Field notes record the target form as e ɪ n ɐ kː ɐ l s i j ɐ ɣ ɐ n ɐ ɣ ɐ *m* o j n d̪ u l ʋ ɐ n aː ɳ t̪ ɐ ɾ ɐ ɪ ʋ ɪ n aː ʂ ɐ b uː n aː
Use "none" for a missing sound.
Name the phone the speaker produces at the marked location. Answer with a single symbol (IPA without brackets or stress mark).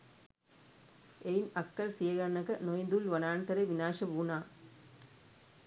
n